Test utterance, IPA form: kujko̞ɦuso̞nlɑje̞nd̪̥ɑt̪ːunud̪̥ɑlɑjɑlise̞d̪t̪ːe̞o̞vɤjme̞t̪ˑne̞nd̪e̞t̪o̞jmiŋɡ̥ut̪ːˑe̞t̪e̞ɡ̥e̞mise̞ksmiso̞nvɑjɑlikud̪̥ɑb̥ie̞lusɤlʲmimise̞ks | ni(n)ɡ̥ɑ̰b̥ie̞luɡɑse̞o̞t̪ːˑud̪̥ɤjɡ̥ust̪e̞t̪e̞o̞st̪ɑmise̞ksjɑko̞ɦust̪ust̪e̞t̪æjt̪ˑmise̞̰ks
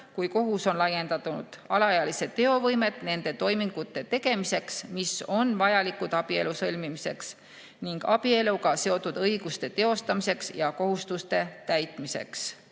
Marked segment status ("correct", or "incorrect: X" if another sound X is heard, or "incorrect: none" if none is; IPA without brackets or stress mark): incorrect: ŋ